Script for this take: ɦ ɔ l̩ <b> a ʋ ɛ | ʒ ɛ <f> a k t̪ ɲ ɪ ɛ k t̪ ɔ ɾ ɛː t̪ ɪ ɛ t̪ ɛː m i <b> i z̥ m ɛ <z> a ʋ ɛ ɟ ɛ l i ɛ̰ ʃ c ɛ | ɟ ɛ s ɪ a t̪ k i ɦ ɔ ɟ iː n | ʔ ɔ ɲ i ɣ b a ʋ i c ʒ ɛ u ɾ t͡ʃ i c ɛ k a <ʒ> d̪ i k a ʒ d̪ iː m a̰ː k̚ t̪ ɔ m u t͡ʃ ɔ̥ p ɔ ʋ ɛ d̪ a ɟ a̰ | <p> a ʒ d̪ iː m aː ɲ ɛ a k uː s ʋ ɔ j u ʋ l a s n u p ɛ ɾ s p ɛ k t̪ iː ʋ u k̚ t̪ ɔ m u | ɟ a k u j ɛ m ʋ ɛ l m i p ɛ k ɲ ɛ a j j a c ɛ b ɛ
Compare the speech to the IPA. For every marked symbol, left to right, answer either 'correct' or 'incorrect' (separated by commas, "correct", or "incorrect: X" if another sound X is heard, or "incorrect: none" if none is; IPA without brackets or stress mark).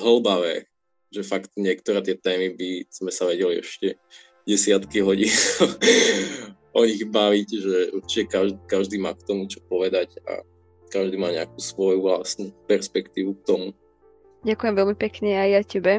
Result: correct, correct, correct, incorrect: s, correct, incorrect: k